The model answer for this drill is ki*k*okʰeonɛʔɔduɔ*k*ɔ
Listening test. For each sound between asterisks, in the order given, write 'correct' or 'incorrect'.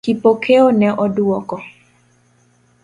incorrect: p, correct

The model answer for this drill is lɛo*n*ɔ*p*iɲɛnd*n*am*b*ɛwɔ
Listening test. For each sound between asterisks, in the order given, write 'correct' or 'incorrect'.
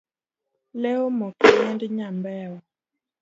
incorrect: m, incorrect: k, incorrect: ɲ, correct

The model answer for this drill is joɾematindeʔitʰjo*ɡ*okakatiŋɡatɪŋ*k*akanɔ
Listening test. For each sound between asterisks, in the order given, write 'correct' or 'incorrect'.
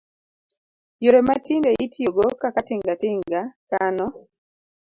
correct, incorrect: ɡ

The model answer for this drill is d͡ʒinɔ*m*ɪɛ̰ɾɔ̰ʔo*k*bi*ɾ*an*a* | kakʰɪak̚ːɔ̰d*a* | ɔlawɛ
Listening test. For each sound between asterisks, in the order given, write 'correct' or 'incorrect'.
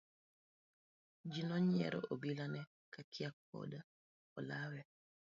incorrect: ɲ, incorrect: none, incorrect: l, incorrect: ɛ, correct

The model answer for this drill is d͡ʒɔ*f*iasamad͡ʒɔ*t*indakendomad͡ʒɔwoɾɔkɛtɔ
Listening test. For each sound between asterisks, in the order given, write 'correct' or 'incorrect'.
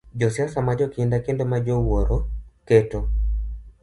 incorrect: s, incorrect: k

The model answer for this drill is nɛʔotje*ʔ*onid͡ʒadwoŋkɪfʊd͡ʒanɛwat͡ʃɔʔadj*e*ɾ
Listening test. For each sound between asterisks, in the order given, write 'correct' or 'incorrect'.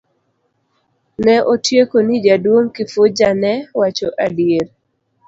incorrect: k, correct

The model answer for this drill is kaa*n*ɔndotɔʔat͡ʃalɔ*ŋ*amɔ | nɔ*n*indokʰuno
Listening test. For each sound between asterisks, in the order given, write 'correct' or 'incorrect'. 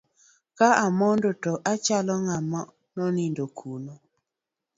incorrect: m, correct, correct

